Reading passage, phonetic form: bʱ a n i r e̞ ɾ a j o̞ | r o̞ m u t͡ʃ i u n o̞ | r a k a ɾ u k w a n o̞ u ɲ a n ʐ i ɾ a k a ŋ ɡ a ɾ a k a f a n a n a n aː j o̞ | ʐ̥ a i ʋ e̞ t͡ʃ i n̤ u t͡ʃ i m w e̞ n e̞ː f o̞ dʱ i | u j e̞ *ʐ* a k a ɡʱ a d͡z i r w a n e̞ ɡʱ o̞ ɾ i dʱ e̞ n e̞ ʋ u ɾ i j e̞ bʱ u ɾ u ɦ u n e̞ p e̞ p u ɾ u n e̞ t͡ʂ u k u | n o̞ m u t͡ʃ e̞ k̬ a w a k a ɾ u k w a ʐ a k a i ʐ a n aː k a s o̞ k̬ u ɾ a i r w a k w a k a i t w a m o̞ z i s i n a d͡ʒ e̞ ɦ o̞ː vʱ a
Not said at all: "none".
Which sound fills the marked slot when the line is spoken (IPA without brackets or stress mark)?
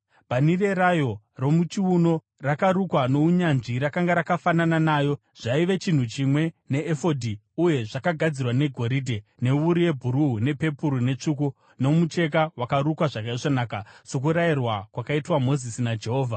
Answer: ʐ